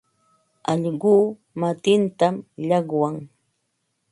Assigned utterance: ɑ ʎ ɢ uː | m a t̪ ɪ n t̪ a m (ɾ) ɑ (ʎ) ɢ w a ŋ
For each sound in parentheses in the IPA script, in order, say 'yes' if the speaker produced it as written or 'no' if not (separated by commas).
no, no